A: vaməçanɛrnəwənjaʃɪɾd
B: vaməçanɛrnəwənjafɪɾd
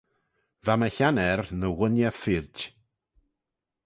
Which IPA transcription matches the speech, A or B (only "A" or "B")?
B